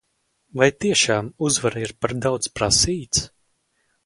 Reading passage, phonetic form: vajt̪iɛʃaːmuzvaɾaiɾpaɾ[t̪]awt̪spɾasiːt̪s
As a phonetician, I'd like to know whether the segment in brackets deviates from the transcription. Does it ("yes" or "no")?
yes